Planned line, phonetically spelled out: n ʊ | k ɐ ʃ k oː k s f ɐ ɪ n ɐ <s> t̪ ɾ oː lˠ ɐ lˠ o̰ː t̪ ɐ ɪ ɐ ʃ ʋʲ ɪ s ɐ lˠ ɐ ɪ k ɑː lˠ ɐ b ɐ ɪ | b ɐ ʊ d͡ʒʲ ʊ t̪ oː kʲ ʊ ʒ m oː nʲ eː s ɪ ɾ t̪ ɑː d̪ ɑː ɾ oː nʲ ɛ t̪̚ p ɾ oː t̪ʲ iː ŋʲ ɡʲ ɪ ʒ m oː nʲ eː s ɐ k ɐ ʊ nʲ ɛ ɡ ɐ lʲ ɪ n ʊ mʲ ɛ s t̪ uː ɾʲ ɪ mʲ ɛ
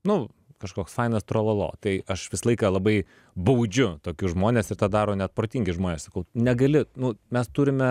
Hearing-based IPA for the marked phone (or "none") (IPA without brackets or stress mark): s